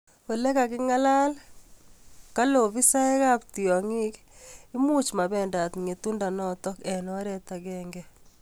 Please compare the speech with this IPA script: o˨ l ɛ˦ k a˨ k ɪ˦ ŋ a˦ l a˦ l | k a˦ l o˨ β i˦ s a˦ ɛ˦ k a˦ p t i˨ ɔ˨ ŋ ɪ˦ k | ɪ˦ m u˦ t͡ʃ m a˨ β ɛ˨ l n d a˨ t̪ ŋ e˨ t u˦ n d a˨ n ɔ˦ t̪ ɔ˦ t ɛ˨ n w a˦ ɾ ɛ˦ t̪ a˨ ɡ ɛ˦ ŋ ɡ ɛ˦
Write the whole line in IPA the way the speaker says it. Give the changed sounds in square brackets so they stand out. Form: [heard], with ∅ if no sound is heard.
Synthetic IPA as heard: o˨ l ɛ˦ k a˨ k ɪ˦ ŋ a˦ l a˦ l | k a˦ l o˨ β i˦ s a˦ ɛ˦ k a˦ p t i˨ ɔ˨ ŋ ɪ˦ k | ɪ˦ m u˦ t͡ʃ m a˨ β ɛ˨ [∅] n d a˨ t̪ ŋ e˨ t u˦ n d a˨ n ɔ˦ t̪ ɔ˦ [k] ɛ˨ n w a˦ ɾ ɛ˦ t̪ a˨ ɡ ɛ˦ ŋ ɡ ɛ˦

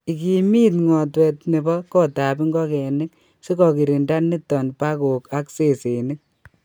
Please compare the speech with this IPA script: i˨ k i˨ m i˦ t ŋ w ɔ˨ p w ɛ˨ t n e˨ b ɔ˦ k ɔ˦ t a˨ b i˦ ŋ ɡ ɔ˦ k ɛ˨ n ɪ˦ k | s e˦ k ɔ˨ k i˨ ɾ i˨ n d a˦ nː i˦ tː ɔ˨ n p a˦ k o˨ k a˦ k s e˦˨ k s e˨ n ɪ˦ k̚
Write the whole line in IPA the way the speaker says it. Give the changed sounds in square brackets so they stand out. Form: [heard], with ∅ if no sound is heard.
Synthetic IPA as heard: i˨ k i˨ m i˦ t ŋ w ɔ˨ [t] w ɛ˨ t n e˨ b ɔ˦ k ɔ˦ t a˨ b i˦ ŋ ɡ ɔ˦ k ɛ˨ n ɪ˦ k | s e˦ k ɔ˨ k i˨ ɾ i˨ n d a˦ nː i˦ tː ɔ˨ n p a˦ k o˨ k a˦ k s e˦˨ [∅] s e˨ n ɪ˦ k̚

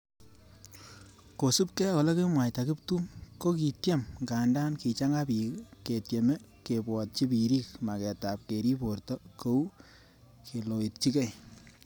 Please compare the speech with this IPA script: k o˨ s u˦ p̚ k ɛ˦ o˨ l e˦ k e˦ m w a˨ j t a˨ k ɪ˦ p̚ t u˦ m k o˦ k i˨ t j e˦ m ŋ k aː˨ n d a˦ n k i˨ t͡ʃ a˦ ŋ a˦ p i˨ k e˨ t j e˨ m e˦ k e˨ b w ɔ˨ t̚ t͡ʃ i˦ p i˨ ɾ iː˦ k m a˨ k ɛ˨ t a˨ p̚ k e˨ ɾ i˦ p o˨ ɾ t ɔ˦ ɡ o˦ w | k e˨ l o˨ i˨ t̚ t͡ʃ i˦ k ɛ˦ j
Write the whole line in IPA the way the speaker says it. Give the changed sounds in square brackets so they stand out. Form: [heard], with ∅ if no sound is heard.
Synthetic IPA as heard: k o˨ s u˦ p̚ k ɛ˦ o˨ l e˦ k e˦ m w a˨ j t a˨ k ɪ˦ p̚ t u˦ m k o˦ k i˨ t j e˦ m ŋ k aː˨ n d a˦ n k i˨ t͡ʃ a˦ ŋ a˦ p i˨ k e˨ t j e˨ m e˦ k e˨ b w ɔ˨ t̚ t͡ʃ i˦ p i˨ ɾ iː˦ k m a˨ k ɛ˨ t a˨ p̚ k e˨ ɾ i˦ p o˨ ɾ t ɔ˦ [k] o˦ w | k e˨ l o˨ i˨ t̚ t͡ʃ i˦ k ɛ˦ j

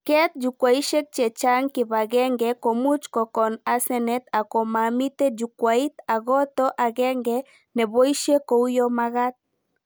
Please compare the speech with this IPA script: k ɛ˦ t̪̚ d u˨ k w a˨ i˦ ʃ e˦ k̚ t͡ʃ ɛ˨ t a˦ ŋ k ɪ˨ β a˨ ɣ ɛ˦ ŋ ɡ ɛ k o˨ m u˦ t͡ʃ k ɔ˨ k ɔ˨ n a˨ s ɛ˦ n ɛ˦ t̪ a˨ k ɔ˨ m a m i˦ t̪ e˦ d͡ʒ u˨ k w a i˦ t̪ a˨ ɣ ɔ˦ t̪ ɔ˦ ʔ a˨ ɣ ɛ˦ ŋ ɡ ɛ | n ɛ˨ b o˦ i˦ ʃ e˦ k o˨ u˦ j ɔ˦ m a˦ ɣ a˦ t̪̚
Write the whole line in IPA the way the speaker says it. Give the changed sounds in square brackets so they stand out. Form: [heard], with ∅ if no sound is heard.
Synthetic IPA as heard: k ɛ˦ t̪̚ [d͡ʒ] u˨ k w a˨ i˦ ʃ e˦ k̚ t͡ʃ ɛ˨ [t͡ʃ] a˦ ŋ k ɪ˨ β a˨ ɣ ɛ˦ ŋ ɡ ɛ k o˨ m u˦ t͡ʃ k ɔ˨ k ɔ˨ n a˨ s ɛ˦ n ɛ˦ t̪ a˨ k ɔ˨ m a m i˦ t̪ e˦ d͡ʒ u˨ k w a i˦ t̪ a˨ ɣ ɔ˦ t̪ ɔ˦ ʔ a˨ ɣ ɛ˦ ŋ ɡ ɛ | n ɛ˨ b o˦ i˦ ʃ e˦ k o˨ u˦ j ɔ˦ m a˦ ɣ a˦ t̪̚

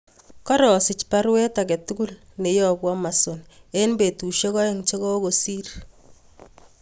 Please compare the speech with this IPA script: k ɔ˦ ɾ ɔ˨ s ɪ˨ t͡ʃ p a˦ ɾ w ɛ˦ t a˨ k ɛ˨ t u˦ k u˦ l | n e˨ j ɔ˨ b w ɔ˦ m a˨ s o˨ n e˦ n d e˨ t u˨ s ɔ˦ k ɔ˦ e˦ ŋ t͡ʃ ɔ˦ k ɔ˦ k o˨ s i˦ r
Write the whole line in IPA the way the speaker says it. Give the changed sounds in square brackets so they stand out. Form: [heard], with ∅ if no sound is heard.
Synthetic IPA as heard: k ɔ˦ ɾ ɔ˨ s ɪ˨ t͡ʃ p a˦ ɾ w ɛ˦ t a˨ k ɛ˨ t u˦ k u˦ l | n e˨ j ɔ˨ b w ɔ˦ m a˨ s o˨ n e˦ n [b] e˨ t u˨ [ʃ] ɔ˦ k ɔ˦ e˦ ŋ t͡ʃ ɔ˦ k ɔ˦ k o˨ s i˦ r

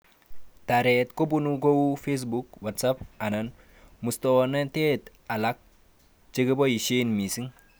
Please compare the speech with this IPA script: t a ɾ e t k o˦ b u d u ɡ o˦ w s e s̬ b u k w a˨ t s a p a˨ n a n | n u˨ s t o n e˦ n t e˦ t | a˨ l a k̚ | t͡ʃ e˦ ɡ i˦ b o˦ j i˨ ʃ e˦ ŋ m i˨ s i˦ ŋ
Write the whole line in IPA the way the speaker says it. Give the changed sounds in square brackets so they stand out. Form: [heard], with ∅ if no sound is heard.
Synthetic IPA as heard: t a ɾ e t k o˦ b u [n] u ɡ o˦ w [f] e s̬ b u k w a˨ t s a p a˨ n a n | [m] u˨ s t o n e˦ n t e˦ t | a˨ l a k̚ | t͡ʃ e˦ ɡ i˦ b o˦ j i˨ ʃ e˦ [n] m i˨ s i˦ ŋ

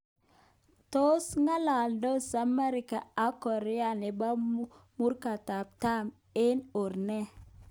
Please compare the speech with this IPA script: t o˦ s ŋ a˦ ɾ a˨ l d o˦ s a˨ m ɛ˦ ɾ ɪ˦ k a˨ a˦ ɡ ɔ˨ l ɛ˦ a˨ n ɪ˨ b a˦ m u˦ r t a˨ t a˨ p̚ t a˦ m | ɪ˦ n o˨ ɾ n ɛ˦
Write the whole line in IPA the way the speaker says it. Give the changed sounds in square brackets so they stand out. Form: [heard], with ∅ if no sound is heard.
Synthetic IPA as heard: t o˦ s ŋ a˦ [l] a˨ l d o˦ s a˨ m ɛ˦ ɾ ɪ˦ k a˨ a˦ [k] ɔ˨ [ɾ] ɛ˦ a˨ n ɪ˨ b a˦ m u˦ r [k] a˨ t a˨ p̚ t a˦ m | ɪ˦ n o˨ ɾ n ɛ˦

